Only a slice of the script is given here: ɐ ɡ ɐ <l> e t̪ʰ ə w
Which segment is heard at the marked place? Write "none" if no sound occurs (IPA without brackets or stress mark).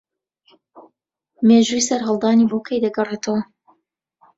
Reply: r